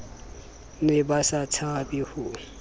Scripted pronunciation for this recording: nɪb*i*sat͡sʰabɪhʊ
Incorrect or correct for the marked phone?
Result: incorrect: a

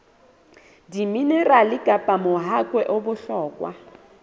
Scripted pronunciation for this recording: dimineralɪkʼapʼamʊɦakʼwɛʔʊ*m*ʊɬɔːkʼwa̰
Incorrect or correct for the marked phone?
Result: incorrect: b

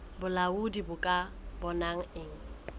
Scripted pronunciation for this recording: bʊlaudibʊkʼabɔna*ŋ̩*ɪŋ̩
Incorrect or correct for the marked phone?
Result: correct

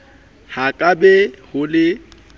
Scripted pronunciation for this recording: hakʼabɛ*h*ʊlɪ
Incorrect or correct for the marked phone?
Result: correct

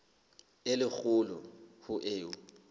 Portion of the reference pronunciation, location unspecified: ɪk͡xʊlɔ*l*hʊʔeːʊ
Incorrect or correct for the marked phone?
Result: incorrect: none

